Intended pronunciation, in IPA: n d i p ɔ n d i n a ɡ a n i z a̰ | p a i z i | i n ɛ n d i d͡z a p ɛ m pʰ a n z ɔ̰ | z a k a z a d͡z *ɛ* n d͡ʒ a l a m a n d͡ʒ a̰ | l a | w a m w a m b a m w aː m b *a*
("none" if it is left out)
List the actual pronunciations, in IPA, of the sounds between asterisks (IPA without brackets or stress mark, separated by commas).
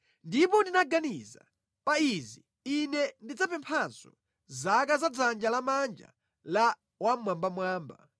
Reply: a, a